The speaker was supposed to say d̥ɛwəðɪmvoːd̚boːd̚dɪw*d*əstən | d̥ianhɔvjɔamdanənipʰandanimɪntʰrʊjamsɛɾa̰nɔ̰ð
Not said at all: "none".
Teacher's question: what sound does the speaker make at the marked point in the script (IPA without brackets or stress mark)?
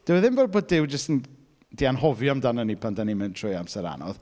d͡ʒ